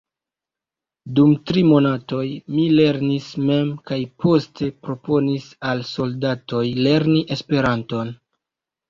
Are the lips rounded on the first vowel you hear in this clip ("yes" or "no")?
yes